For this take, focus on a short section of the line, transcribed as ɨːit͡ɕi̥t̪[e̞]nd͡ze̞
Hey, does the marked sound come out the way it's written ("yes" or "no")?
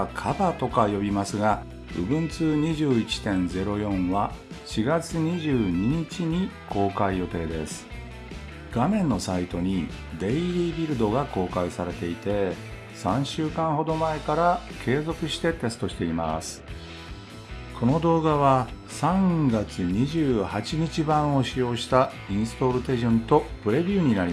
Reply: no